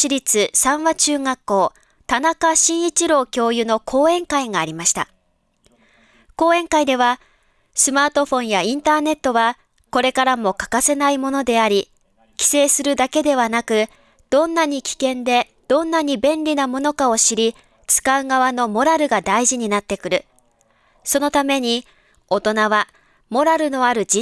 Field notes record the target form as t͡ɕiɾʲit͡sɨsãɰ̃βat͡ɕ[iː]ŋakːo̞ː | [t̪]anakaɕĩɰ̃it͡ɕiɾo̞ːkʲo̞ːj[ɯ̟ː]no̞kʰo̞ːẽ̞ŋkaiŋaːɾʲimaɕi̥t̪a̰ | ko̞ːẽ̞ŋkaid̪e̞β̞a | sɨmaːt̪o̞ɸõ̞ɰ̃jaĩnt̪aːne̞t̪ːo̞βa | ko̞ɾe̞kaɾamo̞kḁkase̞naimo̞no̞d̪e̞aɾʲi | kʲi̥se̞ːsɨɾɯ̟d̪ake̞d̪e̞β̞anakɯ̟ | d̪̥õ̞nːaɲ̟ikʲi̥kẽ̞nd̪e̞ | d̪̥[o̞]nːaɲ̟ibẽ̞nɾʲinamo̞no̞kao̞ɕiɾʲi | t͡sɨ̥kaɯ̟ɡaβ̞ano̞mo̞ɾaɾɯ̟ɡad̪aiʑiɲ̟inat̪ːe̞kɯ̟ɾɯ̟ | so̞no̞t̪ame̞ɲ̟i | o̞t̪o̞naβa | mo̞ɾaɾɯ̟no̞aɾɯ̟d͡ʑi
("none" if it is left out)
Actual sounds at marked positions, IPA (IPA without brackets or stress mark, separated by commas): ɨː, t̪, ɯ̟, õ̞